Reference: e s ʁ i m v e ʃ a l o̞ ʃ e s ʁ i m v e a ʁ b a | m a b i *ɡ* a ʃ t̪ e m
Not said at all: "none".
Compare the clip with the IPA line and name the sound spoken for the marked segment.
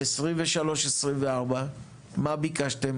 k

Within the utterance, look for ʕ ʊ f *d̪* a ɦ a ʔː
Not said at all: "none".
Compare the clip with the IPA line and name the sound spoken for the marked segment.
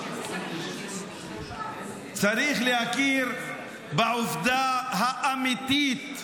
d̪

